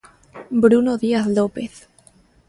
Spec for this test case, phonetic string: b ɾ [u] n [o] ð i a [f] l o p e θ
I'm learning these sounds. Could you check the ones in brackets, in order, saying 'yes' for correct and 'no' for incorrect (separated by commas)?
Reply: yes, yes, no